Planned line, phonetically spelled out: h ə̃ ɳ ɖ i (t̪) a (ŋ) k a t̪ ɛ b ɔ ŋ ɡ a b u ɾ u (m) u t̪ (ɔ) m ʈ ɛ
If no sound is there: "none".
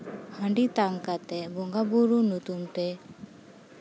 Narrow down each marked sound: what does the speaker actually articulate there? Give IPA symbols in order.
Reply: t̪, ŋ, n, u

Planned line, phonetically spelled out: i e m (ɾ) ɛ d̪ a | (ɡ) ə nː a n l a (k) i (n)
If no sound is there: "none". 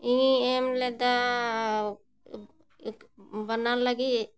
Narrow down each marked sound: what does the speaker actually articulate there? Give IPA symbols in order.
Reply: l, b, ɡ, none

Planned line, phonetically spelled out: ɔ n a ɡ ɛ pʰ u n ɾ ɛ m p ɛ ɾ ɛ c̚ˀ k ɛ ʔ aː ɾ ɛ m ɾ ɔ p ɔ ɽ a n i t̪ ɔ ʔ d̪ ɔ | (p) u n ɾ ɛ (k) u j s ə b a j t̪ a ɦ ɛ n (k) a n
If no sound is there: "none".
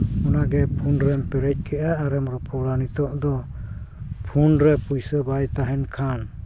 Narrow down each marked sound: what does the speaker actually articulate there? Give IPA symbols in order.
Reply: pʰ, p, kʰ

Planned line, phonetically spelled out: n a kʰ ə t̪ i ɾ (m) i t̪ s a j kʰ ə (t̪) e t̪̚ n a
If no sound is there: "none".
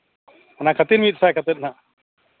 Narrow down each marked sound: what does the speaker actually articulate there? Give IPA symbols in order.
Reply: m, t̪

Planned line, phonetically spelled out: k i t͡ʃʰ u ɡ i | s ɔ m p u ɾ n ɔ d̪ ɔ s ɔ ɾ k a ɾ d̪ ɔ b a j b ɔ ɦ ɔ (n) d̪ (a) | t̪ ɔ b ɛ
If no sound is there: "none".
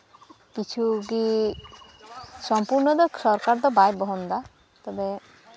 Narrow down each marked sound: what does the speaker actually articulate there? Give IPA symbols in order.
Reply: n, a

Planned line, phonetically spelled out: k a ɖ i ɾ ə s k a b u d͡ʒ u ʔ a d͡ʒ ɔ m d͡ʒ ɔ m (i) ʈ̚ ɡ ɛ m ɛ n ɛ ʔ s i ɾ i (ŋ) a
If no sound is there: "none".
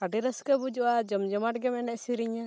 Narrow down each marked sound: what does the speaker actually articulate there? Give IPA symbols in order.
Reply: a, ɲ

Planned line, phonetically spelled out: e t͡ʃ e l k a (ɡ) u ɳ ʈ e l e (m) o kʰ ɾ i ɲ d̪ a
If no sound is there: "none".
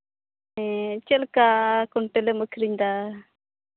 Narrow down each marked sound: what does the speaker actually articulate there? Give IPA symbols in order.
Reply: k, m

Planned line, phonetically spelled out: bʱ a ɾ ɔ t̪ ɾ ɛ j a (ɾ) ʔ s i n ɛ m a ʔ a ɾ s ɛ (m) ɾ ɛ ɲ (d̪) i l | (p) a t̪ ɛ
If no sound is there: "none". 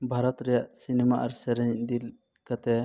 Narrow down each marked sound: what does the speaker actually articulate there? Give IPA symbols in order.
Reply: none, none, d̪, k

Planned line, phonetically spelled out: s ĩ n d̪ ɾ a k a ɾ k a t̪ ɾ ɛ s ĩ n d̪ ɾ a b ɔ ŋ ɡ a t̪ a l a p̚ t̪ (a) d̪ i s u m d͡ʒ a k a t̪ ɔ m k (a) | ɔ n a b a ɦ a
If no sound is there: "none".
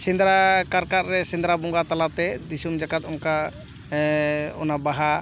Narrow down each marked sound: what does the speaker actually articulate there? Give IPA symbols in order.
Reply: ɛ, a

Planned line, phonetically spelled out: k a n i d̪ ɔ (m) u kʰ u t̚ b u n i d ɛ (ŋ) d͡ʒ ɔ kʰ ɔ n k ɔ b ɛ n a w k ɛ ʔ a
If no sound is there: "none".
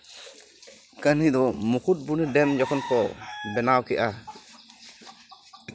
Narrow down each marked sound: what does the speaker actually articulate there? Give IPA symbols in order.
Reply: m, m

